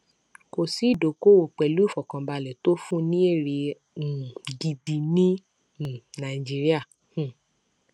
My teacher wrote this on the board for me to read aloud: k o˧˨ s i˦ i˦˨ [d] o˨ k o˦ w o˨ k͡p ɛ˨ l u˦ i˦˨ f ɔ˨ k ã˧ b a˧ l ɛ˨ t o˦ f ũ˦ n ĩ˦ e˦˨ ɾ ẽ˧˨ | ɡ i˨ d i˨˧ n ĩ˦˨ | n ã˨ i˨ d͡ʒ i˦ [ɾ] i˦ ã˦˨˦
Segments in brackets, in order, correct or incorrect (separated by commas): correct, correct